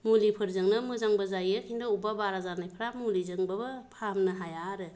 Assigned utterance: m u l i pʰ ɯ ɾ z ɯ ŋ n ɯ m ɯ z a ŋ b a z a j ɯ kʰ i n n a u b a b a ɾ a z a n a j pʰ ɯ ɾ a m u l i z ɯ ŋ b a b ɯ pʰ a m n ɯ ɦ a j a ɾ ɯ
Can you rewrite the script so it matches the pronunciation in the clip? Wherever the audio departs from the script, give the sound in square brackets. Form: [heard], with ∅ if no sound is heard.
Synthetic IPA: m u l i pʰ ɯ ɾ z ɯ ŋ n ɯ m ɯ z a ŋ b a z a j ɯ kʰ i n [d] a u b a b a ɾ a z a n a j pʰ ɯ ɾ a m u l i z ɯ ŋ b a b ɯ pʰ a m n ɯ ɦ a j a ɾ ɯ